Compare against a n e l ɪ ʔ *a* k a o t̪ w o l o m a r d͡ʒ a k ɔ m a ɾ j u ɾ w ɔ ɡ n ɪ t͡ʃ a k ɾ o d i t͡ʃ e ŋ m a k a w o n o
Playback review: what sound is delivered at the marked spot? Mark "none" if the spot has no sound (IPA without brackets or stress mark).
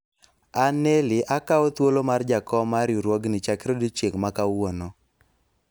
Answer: a